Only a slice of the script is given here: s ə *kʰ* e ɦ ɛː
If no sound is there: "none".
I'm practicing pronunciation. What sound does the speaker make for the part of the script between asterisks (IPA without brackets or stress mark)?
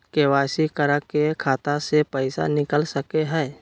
k